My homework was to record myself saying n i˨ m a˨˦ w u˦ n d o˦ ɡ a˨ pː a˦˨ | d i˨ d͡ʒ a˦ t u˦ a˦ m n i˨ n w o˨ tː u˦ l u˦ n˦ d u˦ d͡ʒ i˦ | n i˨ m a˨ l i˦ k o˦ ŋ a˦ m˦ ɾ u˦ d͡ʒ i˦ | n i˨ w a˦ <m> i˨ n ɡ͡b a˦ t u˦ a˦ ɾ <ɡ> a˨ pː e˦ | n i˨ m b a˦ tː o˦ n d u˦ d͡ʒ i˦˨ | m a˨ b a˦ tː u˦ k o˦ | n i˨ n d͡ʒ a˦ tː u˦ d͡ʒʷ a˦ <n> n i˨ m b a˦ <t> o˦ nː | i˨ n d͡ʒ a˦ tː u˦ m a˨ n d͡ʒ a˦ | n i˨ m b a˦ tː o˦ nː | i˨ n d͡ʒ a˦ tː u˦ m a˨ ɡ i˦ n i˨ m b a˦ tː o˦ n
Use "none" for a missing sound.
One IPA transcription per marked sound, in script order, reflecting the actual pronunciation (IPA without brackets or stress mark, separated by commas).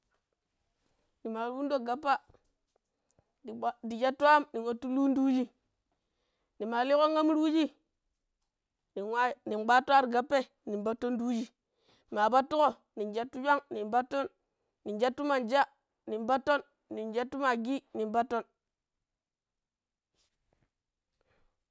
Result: n, ɡ, ŋ, t